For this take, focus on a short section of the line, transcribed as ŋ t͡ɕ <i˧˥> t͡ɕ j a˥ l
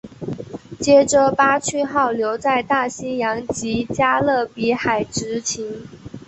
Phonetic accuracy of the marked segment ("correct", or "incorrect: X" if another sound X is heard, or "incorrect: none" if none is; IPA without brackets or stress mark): correct